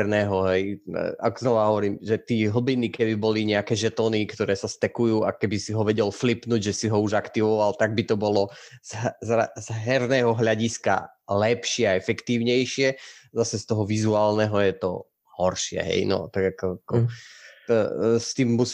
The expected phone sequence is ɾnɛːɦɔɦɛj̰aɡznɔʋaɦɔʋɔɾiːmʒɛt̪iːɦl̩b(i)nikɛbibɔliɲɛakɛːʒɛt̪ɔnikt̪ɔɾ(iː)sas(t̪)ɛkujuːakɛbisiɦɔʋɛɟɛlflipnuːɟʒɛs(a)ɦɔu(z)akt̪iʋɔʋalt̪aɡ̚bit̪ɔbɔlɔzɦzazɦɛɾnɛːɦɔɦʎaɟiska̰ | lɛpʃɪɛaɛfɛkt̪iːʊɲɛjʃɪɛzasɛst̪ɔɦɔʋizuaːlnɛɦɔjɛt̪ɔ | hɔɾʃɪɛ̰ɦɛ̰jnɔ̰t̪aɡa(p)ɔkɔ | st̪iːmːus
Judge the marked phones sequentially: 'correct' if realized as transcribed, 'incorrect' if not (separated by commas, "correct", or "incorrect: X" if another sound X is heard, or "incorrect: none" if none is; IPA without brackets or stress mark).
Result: correct, incorrect: ɛː, correct, incorrect: i, incorrect: ʒ, incorrect: k